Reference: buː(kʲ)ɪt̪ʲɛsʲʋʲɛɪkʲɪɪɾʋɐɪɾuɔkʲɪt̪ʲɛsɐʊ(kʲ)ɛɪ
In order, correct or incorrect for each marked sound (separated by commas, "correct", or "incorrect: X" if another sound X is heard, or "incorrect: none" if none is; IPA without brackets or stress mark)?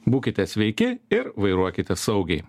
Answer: correct, incorrect: ɡʲ